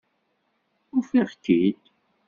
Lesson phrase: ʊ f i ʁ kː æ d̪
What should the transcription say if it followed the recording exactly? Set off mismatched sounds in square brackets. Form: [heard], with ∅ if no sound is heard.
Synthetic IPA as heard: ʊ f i ʁ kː [i] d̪